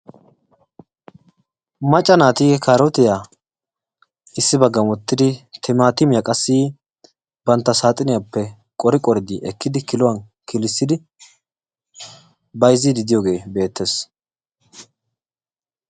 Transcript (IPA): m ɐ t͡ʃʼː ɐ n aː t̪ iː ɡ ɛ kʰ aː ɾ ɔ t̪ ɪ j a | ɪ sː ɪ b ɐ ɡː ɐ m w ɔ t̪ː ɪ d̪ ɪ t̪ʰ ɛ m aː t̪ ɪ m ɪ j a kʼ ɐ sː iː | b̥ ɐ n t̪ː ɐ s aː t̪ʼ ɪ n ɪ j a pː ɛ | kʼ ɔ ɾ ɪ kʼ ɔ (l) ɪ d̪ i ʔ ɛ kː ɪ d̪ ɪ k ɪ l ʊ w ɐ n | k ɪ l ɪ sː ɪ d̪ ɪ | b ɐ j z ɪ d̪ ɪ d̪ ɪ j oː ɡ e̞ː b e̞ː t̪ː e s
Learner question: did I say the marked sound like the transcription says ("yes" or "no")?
no